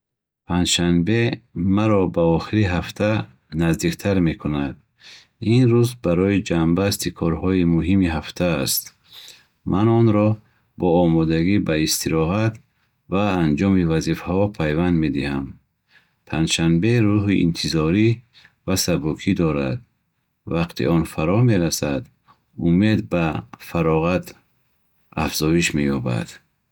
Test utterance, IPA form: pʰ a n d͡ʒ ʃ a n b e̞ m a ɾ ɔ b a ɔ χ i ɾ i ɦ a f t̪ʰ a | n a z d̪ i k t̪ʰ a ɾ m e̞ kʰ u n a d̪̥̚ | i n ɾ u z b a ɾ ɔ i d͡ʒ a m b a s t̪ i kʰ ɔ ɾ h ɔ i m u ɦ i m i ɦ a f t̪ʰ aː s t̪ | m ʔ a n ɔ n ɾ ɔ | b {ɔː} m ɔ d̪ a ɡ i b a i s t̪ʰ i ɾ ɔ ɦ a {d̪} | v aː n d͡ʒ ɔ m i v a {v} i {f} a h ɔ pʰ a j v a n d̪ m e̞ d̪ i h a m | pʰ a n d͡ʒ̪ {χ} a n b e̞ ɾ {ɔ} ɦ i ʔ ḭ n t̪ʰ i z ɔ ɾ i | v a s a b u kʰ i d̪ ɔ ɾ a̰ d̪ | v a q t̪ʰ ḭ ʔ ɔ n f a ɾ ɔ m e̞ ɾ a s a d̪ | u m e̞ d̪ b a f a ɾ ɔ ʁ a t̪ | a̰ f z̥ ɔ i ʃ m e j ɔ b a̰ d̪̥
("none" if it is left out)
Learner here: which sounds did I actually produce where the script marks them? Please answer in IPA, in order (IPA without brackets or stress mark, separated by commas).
ɔː, t̪, z, f, ʃ, u